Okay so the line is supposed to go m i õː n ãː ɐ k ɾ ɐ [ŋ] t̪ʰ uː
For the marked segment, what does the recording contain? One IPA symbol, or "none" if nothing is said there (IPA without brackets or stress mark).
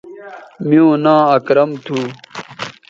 m